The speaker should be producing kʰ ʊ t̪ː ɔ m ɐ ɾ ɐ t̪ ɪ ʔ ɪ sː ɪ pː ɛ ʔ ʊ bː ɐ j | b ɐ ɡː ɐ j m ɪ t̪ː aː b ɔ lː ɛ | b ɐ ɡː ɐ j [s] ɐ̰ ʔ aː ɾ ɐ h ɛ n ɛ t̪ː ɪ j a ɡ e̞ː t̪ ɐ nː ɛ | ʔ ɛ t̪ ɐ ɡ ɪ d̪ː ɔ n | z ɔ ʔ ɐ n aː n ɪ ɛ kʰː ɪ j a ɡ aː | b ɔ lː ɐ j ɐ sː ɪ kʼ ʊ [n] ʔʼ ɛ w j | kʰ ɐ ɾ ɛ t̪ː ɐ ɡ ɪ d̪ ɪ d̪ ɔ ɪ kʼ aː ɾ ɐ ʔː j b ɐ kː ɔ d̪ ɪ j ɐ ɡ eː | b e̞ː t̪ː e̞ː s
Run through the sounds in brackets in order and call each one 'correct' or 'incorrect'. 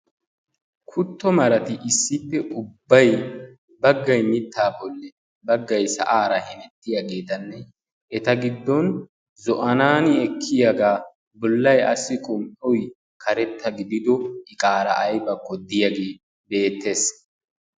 correct, incorrect

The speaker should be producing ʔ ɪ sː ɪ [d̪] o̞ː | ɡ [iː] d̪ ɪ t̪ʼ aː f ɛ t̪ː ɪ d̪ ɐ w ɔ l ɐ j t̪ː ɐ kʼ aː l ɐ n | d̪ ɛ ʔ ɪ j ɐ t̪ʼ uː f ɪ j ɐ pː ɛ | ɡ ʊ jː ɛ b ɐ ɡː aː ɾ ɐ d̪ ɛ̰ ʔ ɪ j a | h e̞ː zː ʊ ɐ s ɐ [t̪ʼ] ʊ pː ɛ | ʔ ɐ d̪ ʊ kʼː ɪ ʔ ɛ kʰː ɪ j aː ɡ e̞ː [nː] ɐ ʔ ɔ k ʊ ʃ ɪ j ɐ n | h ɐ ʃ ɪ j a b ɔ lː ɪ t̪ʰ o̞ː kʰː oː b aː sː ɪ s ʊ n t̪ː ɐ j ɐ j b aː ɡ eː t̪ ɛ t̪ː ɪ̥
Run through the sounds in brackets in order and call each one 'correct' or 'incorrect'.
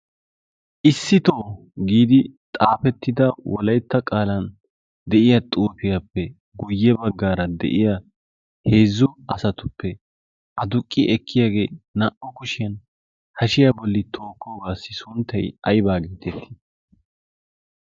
incorrect, correct, incorrect, incorrect

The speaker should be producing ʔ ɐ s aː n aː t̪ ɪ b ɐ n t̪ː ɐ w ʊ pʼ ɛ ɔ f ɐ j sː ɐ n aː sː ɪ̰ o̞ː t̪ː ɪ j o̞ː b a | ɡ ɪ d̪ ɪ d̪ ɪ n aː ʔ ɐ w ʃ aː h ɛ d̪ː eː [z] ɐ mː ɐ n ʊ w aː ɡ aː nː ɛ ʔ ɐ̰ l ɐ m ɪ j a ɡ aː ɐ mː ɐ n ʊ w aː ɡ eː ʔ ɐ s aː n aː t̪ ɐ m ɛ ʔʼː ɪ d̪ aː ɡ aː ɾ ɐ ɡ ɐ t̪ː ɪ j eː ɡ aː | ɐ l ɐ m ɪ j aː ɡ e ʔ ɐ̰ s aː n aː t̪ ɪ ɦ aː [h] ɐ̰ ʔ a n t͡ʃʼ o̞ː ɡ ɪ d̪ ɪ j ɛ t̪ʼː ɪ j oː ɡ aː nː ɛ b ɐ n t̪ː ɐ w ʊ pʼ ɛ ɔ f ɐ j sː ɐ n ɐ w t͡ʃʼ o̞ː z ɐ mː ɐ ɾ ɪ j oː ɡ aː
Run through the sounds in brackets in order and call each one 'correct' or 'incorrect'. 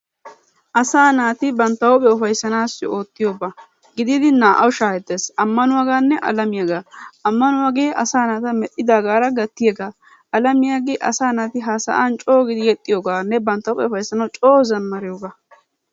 incorrect, incorrect

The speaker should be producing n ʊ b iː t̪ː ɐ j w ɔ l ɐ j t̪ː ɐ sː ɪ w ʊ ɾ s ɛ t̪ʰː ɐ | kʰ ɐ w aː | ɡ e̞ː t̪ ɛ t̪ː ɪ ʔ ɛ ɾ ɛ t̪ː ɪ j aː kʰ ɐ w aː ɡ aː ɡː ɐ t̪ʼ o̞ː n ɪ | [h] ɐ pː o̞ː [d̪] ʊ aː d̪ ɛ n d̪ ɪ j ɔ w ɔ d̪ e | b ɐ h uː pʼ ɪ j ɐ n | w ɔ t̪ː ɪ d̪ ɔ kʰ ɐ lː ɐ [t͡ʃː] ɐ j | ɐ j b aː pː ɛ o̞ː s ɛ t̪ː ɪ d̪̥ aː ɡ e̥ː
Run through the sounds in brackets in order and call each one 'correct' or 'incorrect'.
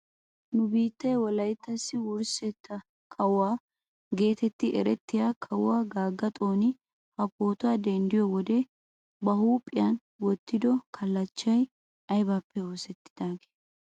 correct, incorrect, correct

